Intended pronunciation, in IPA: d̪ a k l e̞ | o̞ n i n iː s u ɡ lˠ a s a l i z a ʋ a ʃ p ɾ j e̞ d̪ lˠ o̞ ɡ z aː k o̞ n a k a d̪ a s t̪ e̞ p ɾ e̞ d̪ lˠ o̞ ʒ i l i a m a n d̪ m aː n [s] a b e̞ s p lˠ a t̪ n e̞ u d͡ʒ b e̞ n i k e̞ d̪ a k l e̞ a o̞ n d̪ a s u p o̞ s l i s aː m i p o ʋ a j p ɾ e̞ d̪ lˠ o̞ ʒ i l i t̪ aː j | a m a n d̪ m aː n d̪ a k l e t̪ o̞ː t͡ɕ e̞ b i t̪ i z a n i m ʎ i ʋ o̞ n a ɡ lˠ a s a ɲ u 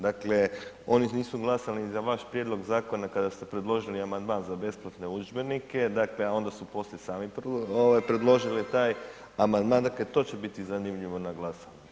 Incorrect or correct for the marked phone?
incorrect: z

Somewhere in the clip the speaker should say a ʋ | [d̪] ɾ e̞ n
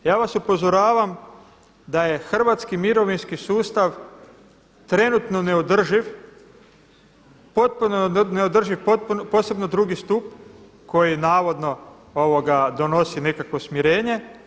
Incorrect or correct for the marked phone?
incorrect: t̪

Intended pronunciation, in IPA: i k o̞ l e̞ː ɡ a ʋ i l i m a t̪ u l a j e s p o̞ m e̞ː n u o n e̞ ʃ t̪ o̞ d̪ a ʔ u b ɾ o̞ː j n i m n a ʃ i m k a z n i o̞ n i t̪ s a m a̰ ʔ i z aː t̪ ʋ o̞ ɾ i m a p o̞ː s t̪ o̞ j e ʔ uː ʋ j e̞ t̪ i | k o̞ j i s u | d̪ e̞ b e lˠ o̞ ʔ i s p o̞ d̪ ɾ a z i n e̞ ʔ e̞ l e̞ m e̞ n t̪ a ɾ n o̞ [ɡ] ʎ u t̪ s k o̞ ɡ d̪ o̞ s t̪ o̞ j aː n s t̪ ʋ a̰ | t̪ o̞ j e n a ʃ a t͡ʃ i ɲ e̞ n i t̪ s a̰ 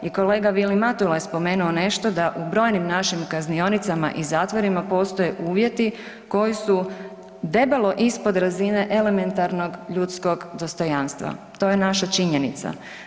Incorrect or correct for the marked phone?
correct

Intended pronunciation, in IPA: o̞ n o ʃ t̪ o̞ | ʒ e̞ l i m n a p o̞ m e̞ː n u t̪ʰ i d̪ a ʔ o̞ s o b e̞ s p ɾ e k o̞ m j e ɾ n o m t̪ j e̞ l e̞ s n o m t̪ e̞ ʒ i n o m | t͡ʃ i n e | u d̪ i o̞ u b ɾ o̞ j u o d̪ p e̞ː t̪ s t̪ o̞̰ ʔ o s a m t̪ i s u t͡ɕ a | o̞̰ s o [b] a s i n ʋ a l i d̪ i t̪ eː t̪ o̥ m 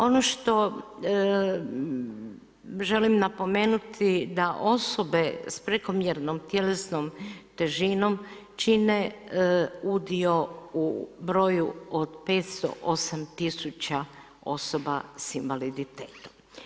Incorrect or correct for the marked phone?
correct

